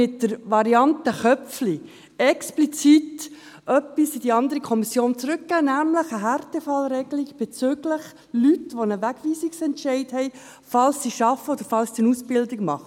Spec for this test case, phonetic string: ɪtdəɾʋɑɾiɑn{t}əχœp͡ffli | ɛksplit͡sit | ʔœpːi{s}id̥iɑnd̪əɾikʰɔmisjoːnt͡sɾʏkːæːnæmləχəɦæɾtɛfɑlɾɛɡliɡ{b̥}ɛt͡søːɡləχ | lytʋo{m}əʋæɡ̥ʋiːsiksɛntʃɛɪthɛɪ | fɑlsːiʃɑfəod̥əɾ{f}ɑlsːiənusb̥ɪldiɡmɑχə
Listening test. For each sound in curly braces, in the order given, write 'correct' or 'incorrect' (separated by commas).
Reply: correct, correct, correct, incorrect, correct